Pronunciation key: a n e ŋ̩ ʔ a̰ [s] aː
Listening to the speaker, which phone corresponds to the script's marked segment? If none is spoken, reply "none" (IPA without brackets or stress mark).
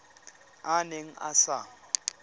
s